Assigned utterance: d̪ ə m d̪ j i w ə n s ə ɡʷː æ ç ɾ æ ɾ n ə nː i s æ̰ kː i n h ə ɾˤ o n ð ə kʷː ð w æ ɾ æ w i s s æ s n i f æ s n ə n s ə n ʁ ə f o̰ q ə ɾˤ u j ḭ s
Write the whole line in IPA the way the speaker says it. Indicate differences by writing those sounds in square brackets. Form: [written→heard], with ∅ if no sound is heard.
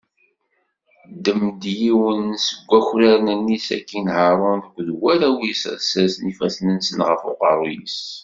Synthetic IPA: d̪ ə m d̪ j i w ə n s ə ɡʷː æ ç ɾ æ ɾ n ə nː i s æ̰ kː i n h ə ɾˤ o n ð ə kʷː ð w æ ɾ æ w i s s æ s n i f æ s n ə n s ə n ʁ ə f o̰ q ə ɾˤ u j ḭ s